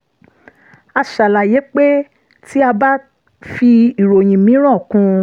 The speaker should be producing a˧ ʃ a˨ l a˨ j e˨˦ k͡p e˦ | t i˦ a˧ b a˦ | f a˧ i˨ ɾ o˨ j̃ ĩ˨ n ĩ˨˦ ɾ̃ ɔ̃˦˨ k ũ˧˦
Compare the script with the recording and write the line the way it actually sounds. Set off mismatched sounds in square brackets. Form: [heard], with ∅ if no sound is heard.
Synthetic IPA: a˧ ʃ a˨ l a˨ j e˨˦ k͡p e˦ | t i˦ a˧ b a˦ | f [i˧] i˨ ɾ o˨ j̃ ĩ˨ [m] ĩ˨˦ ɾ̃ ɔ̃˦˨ k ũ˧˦